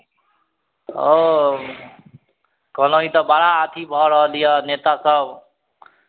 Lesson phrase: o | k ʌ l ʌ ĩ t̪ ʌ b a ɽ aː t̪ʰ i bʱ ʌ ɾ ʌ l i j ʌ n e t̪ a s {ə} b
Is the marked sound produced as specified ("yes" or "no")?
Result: no